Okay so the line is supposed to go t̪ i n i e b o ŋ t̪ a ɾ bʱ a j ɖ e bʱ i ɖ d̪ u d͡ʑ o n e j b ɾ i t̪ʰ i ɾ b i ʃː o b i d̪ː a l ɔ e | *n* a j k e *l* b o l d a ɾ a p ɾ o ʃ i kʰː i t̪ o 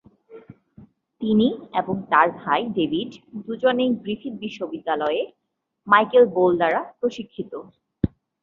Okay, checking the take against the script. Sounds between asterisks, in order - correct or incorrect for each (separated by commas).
incorrect, correct